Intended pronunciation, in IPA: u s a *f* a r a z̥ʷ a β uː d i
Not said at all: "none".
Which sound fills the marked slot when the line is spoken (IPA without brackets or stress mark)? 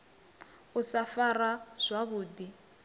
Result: f